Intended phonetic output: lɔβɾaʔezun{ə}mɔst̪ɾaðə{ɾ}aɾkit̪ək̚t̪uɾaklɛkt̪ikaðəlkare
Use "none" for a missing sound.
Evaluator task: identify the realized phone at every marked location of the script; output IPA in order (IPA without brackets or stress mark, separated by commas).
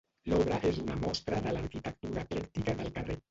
a, l